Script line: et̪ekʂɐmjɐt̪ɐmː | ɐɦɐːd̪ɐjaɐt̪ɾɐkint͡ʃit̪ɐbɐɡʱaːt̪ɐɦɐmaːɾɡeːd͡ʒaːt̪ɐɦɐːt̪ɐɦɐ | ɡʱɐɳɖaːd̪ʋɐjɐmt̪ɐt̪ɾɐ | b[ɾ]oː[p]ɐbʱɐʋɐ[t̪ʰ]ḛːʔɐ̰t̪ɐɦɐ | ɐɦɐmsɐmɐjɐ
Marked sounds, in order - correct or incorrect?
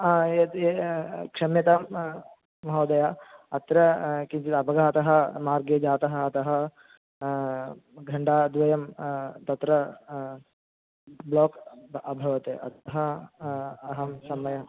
incorrect, incorrect, incorrect

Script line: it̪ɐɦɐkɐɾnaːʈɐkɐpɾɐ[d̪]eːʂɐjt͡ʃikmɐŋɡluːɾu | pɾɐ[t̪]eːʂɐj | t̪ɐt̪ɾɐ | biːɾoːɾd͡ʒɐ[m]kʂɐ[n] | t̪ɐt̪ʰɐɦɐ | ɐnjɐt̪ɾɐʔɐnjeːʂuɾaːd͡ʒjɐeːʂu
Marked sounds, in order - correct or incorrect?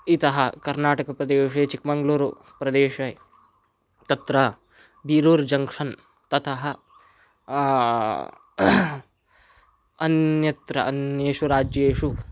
correct, incorrect, incorrect, correct

